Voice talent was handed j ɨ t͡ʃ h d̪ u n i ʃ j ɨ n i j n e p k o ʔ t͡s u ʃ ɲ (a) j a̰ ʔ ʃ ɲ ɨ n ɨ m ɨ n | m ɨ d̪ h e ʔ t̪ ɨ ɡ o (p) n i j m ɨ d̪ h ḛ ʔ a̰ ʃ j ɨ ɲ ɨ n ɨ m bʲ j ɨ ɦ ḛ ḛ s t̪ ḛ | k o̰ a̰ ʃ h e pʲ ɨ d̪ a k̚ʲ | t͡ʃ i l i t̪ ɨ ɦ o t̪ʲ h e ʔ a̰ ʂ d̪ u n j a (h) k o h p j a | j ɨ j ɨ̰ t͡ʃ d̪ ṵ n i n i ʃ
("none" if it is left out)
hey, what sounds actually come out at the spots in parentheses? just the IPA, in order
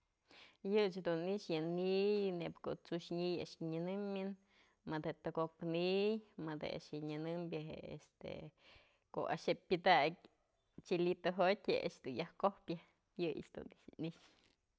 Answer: i, k, h

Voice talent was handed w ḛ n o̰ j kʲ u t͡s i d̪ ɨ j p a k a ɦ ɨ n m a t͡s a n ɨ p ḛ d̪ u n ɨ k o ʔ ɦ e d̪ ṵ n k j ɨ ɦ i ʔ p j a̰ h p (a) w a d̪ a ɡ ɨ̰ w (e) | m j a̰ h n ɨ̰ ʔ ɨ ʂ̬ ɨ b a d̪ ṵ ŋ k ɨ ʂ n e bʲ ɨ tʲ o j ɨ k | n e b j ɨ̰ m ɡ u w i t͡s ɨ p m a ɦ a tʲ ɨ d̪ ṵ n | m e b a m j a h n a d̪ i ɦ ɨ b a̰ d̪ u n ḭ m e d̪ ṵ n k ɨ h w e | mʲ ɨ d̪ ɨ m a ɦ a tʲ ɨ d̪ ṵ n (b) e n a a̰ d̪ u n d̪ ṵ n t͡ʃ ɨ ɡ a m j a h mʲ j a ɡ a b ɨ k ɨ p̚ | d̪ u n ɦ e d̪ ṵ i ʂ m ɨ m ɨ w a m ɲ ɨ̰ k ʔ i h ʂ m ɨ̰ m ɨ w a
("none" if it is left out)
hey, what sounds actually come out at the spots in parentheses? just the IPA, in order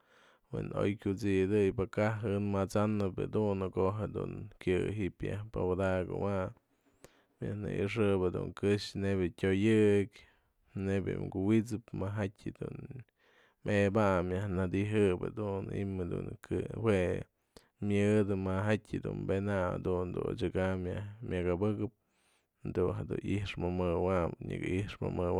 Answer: a, a, b

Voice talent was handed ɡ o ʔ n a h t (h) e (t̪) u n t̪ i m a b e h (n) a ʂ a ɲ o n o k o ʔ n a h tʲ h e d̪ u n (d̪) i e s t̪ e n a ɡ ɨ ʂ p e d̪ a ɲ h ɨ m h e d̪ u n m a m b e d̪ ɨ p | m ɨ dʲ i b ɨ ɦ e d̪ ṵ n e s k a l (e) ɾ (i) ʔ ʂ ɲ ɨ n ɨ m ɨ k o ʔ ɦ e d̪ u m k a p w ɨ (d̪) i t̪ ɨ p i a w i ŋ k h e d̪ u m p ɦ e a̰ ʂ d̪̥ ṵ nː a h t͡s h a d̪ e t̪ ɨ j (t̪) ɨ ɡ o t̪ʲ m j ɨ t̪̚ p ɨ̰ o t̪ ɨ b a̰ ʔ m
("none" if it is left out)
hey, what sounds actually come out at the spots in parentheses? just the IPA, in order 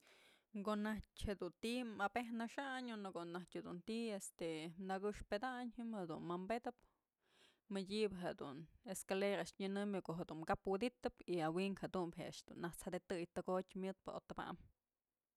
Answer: h, d̪, n, t̪, e, a, d̪, t̪

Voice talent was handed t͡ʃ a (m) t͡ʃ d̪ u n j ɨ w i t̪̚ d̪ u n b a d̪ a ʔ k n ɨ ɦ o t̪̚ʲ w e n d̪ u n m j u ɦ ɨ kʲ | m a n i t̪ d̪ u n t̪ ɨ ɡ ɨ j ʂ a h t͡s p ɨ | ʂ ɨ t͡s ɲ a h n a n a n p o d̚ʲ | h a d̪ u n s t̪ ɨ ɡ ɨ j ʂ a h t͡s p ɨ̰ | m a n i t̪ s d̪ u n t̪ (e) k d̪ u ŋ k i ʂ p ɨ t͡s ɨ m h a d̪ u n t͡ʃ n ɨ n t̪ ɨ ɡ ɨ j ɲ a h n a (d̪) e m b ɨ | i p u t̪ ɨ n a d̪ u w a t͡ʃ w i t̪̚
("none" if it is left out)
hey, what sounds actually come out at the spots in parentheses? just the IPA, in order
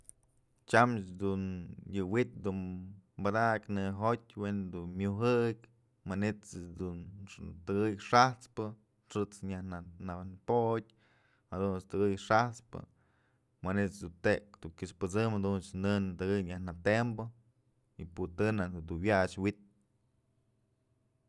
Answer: m, e, t̪

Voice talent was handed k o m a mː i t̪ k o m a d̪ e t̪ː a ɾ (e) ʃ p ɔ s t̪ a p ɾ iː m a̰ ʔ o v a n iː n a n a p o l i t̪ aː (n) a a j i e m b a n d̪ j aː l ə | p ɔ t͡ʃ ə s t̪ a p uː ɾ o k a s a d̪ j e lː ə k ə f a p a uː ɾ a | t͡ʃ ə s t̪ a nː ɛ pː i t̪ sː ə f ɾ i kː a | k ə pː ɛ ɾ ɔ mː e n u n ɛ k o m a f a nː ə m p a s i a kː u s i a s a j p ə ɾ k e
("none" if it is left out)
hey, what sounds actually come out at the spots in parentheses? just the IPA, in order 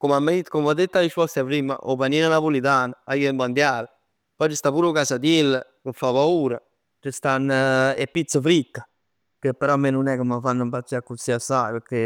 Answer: i, n

